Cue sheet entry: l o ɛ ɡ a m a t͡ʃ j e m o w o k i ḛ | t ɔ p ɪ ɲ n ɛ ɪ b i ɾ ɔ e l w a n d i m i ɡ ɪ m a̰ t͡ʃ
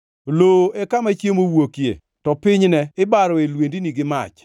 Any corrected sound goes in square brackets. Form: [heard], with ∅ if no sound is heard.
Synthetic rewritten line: l o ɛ [k] a m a t͡ʃ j e m o w o k [j] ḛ | t ɔ p ɪ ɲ n ɛ ɪ b [a] ɾ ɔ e l w [e] n d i [n] i ɡ ɪ m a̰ t͡ʃ